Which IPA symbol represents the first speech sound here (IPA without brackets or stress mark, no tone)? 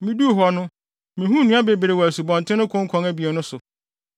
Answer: m